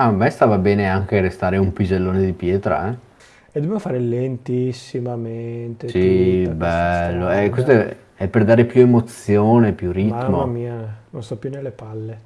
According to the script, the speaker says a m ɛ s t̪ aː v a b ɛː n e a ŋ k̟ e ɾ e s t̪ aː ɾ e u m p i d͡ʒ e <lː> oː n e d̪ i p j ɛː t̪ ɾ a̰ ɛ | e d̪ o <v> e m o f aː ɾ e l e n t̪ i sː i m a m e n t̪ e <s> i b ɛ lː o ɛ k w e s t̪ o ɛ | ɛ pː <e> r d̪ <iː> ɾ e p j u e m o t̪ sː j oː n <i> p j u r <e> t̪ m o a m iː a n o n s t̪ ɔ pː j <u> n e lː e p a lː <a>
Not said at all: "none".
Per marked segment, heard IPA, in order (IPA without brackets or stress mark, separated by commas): lː, b, s, e, aː, e, i, u, e